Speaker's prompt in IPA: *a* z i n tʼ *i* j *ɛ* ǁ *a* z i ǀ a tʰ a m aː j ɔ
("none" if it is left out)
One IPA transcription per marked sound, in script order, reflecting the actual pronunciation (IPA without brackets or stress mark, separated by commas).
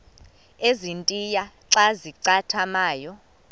e, i, a, a